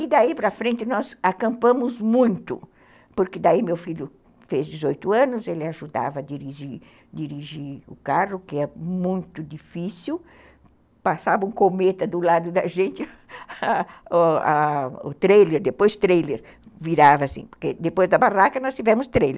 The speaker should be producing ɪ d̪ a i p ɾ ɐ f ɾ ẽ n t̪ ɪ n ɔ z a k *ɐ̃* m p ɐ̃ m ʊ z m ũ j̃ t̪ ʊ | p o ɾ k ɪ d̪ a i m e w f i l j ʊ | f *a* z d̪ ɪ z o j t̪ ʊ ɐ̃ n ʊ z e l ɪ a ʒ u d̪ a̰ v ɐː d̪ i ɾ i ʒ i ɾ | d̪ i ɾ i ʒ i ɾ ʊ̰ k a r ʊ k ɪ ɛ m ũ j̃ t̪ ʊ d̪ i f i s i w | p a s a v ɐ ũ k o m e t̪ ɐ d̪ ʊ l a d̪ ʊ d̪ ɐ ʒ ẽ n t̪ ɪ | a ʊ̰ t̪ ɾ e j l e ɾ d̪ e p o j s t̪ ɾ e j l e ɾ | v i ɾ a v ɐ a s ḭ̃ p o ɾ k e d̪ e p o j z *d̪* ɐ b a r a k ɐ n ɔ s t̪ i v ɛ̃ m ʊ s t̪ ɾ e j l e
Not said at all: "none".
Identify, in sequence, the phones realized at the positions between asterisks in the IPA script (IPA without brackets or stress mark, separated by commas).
ɐ̃, e, d̪